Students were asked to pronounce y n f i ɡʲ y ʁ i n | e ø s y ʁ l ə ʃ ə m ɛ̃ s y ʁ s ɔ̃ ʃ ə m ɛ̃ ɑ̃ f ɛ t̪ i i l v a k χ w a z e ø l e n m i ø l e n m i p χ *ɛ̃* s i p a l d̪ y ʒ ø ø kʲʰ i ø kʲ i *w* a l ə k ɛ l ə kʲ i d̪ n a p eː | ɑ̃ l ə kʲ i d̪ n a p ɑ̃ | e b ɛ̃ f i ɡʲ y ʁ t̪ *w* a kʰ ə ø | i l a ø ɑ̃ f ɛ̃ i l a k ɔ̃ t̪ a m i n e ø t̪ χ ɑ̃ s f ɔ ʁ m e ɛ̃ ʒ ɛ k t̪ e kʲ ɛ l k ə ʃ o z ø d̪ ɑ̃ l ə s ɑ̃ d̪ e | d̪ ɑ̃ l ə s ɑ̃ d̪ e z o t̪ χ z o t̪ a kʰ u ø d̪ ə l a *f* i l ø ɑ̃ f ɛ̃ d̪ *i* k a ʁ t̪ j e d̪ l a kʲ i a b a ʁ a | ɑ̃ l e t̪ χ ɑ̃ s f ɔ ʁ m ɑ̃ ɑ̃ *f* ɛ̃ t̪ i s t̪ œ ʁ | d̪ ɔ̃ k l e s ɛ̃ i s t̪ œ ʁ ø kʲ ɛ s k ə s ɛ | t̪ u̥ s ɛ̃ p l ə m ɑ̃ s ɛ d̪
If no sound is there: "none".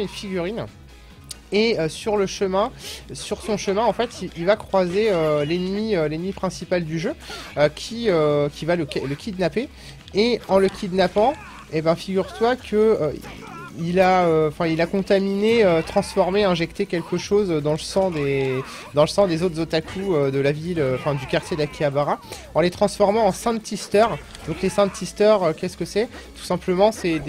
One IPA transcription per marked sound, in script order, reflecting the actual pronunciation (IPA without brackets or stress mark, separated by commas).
ɛ̃, v, w, v, y, s